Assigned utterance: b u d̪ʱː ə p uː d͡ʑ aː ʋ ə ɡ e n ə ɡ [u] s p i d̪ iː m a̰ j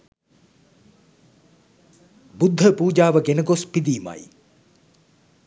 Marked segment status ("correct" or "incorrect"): incorrect